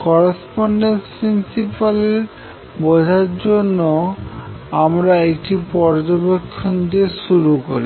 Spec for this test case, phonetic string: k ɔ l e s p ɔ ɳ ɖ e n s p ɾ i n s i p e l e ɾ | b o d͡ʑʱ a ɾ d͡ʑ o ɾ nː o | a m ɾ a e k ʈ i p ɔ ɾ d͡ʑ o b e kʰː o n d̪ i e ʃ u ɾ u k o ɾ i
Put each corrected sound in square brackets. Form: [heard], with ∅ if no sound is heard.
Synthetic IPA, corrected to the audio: k ɔ [ɾ] e s p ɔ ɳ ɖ e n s p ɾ i n s i p [a] l e ɾ | b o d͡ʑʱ a ɾ d͡ʑ o [∅] nː o | a m ɾ a e k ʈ i p ɔ ɾ d͡ʑ o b e kʰː o n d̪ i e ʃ u ɾ u k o ɾ i